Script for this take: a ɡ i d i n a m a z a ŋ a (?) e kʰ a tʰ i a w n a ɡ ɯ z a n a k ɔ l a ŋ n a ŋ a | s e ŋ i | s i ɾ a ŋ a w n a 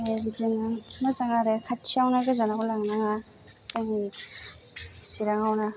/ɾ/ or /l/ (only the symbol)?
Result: ɾ